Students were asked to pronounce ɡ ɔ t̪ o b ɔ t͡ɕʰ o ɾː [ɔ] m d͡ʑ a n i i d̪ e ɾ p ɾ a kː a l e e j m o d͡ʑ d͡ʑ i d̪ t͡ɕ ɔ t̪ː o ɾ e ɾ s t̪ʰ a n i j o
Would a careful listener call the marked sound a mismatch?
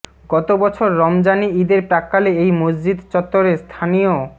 no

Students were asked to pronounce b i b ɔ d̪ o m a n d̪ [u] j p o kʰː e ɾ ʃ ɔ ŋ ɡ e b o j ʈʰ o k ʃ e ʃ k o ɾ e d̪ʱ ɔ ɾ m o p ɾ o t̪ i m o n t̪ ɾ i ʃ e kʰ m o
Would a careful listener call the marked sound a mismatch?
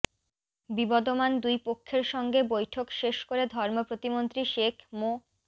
no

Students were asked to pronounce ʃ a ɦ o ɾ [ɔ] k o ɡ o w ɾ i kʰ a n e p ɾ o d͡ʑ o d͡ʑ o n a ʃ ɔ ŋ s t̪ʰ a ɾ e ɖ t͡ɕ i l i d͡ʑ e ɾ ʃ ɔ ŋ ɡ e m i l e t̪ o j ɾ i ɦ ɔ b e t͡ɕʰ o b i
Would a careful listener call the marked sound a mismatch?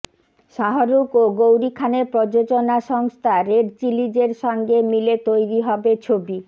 yes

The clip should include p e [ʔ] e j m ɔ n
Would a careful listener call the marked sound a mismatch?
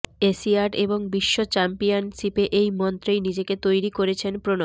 no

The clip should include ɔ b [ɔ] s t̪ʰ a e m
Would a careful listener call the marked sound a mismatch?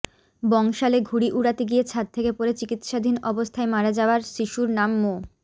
yes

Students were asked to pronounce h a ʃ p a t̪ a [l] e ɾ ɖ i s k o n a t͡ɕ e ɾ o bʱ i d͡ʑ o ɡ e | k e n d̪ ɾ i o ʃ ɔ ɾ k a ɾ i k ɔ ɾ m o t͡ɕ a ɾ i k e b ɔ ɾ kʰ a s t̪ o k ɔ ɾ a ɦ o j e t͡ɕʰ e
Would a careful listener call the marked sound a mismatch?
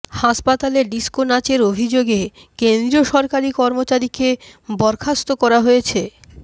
no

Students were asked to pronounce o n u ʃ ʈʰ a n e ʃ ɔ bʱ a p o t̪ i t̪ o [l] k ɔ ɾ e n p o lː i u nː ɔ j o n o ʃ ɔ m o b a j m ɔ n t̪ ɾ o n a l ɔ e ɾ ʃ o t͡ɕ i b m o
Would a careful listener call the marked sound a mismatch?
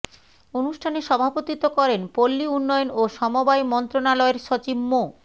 yes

